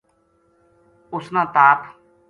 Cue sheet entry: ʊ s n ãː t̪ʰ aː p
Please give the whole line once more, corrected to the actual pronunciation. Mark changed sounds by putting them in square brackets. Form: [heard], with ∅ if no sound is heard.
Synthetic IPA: ʊ s n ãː [t̪] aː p